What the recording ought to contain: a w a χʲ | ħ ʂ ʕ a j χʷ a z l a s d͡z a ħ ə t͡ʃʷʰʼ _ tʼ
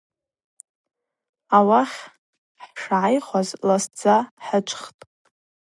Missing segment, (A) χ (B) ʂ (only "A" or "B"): A